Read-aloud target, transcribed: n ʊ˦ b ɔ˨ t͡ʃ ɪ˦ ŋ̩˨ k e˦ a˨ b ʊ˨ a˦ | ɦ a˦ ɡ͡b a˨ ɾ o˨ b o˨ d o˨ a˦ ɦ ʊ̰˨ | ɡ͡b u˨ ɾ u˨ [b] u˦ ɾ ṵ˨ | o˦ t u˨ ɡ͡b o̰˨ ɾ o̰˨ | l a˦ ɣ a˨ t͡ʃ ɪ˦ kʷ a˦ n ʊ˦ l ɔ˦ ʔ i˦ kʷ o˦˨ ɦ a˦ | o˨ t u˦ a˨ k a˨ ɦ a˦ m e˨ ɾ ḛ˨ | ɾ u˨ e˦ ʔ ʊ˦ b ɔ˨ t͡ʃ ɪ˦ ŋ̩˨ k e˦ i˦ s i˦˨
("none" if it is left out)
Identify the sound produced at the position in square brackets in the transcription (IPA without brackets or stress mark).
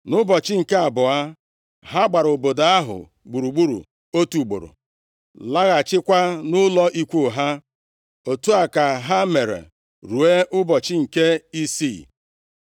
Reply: ɡ͡b